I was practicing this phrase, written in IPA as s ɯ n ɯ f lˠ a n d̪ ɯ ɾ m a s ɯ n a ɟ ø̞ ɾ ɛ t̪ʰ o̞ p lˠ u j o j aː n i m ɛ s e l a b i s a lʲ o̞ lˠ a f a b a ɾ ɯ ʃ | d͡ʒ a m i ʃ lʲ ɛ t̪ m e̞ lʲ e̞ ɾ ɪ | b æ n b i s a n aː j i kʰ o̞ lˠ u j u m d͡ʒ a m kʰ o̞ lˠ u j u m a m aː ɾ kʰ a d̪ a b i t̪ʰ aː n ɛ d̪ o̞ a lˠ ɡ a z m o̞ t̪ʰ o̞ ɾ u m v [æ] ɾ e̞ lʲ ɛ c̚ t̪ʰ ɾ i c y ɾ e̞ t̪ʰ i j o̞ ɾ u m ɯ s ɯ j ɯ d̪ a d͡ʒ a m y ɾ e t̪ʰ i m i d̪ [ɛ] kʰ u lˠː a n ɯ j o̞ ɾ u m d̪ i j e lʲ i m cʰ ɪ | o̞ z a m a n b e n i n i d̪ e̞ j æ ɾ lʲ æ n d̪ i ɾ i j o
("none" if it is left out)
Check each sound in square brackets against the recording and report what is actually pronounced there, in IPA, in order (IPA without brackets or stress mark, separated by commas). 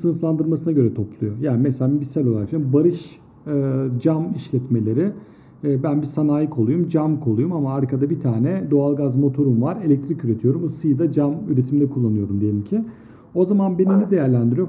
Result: a, ɛ